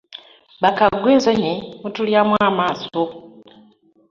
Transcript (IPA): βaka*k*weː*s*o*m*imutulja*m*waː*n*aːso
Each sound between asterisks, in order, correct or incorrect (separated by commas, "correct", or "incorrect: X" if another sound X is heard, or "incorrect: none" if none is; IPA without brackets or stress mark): incorrect: ɡ, incorrect: z, incorrect: ɲ, correct, incorrect: m